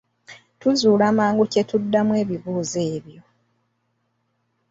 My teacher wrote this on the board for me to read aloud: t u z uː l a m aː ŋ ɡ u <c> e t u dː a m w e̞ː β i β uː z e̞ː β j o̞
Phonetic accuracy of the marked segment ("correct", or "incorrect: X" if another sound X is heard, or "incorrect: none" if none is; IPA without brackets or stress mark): correct